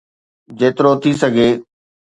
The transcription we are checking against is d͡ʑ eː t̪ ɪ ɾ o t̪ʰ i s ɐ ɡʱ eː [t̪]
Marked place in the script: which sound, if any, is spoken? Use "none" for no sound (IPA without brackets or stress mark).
none